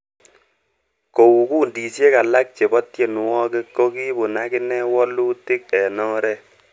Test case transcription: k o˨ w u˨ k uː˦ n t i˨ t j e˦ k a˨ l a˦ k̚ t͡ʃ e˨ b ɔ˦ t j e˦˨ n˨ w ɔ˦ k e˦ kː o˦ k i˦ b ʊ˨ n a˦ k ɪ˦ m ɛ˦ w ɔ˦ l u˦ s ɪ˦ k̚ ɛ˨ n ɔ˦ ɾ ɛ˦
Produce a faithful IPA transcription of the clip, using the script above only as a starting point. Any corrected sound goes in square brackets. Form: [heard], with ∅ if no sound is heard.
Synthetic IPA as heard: k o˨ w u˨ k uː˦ n [d] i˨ [s] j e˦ k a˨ l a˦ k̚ t͡ʃ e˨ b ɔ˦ t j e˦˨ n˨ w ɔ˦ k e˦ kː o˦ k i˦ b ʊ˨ n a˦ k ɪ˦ [n] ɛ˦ w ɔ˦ l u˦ [t] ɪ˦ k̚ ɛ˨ n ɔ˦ ɾ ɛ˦